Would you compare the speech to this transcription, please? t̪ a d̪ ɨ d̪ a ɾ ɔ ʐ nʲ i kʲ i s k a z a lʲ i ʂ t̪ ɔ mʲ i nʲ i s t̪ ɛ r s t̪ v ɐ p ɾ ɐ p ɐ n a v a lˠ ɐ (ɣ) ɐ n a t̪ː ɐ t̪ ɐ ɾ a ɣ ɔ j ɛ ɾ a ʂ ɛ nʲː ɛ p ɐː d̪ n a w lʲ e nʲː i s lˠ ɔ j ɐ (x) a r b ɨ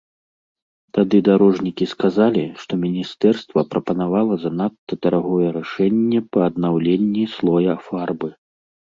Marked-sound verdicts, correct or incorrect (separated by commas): incorrect, incorrect